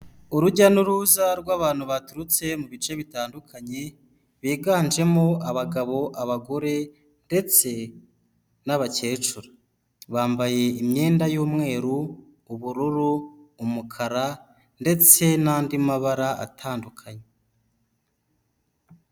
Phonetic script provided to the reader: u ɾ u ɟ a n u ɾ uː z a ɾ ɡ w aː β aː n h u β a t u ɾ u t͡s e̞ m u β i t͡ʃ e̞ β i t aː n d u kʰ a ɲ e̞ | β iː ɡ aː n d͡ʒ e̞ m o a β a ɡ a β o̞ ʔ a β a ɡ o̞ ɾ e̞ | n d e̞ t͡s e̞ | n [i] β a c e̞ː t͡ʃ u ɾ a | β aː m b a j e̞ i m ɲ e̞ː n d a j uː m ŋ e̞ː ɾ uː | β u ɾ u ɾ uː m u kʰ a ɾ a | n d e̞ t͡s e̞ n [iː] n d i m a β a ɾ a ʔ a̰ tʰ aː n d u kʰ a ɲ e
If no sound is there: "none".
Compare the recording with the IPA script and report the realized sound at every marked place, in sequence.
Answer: a, aː

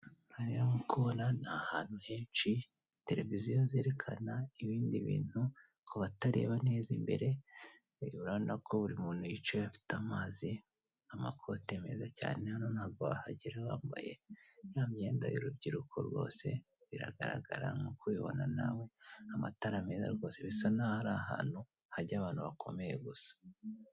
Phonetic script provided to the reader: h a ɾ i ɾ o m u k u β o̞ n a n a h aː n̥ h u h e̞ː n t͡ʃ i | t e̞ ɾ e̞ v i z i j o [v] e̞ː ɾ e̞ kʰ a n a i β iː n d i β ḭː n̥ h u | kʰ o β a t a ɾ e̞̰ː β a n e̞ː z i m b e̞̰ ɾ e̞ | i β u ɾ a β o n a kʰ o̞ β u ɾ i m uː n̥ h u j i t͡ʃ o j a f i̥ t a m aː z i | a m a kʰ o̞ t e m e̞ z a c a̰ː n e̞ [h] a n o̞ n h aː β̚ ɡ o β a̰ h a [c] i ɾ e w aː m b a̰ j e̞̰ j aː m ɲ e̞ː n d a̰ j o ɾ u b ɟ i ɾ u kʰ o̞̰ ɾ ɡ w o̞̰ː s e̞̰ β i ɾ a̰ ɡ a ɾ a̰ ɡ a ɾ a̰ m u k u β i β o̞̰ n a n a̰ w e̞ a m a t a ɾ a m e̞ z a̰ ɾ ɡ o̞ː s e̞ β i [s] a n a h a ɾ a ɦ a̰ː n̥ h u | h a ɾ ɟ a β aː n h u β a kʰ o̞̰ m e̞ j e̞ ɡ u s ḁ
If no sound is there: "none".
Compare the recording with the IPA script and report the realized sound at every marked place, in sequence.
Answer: z, h, ɟ, s

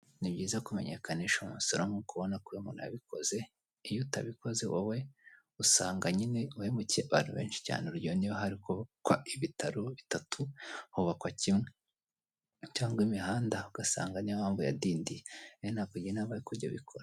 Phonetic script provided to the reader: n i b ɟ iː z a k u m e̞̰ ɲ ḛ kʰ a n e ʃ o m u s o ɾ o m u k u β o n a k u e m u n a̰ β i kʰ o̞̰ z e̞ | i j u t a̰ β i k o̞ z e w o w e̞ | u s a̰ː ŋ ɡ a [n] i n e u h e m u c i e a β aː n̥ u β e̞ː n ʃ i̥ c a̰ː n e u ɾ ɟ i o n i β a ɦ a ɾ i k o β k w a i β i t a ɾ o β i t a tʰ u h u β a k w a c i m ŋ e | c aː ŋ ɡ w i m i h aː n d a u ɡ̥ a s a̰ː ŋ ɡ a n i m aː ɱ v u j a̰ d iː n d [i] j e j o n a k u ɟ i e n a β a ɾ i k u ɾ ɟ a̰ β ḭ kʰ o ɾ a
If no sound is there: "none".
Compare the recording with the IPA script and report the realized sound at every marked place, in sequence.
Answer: ɲ, i

